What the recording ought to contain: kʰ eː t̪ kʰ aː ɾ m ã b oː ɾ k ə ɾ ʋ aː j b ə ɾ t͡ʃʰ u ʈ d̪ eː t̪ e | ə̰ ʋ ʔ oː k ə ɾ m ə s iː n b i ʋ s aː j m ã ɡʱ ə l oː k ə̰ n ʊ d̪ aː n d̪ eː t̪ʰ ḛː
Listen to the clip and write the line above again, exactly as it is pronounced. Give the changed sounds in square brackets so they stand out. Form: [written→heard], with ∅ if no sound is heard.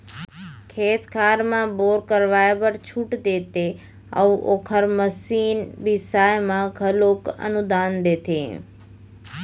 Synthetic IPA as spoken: kʰ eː t̪ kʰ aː ɾ m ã b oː ɾ k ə ɾ ʋ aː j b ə ɾ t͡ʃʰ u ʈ d̪ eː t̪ e | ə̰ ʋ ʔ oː [k→kʰ] ə ɾ m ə s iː n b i [ʋ→∅] s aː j m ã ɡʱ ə l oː k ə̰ n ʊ d̪ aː n d̪ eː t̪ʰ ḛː